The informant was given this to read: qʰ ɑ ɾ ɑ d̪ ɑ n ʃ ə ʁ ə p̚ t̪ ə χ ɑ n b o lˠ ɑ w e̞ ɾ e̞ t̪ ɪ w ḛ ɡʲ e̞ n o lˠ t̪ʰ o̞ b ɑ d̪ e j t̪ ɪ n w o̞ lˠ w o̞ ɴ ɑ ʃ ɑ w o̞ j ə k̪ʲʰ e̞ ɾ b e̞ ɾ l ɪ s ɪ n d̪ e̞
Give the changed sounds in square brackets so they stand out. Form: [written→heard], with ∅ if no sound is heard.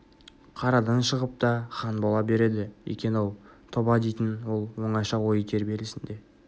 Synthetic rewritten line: qʰ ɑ ɾ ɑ d̪ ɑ n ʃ ə ʁ ə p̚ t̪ [ə→ɑ] χ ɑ n b o lˠ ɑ [w→b] e̞ ɾ e̞ [t̪→d̪] ɪ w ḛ [ɡʲ→kʲ] e̞ n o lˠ t̪ʰ o̞ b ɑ d̪ e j t̪ ɪ n w o̞ lˠ w o̞ ɴ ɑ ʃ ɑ w o̞ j ə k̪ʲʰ e̞ ɾ b e̞ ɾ l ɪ s ɪ n d̪ e̞

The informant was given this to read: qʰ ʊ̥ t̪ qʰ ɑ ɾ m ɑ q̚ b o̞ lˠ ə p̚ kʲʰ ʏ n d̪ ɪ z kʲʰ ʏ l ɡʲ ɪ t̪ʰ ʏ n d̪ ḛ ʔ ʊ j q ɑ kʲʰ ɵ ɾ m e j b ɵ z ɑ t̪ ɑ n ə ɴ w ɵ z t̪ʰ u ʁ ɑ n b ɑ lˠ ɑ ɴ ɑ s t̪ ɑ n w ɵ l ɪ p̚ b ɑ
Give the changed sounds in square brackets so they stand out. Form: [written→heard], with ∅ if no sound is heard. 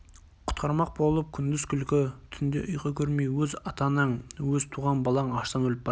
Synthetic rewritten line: qʰ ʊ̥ t̪ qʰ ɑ ɾ m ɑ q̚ b o̞ lˠ ə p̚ kʲʰ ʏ n d̪ ɪ z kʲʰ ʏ l [ɡʲ→kʲ] ɪ t̪ʰ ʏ n d̪ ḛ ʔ ʊ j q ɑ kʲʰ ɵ ɾ m e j [b→w] ɵ z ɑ t̪ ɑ n ə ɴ w ɵ z t̪ʰ u ʁ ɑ n b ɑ lˠ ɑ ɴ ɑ [s→ʃ] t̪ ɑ n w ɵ l ɪ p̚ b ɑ

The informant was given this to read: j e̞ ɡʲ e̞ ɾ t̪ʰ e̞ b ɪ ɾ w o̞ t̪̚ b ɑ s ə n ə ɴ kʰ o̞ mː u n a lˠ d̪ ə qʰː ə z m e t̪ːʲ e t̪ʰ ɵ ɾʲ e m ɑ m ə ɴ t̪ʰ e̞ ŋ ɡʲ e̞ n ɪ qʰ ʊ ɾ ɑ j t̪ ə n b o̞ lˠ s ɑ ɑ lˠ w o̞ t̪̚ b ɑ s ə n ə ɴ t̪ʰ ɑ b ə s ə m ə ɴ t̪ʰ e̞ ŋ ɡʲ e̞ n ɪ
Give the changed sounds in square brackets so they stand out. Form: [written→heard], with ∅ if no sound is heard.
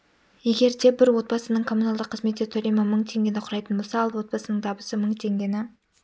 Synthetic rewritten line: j e̞ ɡʲ e̞ ɾ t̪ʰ e̞ b ɪ ɾ w o̞ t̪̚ b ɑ s ə n ə ɴ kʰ o̞ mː u n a lˠ d̪ ə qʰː ə z m e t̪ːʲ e t̪ʰ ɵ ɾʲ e m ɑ m ə ɴ t̪ʰ e̞ ŋ ɡʲ e̞ n ɪ qʰ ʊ ɾ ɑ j t̪ ə n b o̞ lˠ s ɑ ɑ lˠ w o̞ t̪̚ b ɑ s ə n ə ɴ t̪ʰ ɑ b ə s ə m ə ɴ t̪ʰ e̞ ŋ ɡʲ e̞ n ɪ

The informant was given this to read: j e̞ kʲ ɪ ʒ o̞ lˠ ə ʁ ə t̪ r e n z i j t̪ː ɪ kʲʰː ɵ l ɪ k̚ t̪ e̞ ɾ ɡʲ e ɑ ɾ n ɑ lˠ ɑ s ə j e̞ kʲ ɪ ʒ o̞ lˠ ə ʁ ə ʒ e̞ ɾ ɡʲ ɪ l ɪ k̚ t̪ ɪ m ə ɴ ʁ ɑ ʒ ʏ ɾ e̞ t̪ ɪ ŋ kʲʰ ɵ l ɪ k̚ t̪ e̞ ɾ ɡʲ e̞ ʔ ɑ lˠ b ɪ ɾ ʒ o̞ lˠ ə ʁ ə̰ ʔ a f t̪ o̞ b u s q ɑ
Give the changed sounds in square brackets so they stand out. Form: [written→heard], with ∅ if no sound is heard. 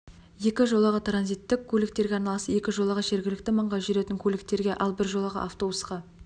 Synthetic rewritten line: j e̞ kʲ ɪ ʒ o̞ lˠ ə ʁ ə t̪ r [e→a] n z i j t̪ː ɪ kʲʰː ɵ l ɪ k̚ t̪ e̞ ɾ ɡʲ e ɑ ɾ n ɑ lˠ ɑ s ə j e̞ kʲ ɪ ʒ o̞ lˠ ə ʁ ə ʒ e̞ ɾ ɡʲ ɪ l ɪ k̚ t̪ ɪ m ə ɴ ʁ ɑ ʒ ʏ ɾ e̞ t̪ ɪ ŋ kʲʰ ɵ l ɪ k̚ t̪ e̞ ɾ ɡʲ e̞ ʔ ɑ lˠ b ɪ ɾ ʒ o̞ lˠ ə ʁ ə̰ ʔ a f t̪ o̞ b u s q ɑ

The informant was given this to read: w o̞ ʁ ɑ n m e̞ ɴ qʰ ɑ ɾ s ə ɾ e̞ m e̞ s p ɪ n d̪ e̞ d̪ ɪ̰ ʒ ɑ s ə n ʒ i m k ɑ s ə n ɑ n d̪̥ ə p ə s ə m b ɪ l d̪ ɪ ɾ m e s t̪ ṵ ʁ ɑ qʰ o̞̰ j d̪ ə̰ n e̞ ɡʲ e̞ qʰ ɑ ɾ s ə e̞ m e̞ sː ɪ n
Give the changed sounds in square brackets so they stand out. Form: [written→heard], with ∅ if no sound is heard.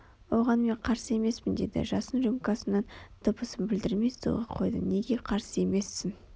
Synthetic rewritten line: w o̞ ʁ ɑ n m e̞ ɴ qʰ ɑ ɾ s ə [ɾ→∅] e̞ m e̞ s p ɪ n d̪ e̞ d̪ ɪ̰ ʒ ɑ s ə n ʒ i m k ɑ s ə n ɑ n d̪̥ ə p ə s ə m b ɪ l d̪ ɪ ɾ m e s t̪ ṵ ʁ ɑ qʰ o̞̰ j d̪ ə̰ n e̞ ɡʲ e̞ qʰ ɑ ɾ s ə e̞ m e̞ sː ɪ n

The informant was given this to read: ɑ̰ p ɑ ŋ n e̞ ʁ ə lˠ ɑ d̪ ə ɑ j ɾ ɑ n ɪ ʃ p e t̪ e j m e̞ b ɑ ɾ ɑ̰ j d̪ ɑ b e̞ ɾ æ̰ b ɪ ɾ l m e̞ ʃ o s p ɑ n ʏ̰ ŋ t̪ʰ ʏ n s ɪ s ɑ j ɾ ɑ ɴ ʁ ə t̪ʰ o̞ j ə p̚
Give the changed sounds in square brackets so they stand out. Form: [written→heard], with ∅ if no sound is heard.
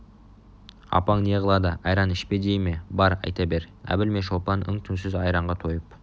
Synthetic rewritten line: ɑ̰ p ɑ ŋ n e̞ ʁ ə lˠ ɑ d̪ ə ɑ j ɾ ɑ n ɪ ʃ p e [t̪→d̪] e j m e̞ b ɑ ɾ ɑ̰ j [d̪→t̪] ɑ b e̞ ɾ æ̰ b ɪ [ɾ→∅] l m e̞ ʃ o [s→∅] p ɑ n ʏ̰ ŋ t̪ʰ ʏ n s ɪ [s→z] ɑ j ɾ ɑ ɴ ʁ [ə→ɑ] t̪ʰ o̞ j ə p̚

